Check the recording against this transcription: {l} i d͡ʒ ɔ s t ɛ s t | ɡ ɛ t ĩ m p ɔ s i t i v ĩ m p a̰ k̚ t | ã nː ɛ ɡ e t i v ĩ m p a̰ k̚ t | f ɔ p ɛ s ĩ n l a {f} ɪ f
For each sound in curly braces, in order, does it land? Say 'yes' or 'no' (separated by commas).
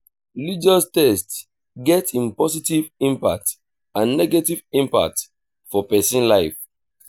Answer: yes, no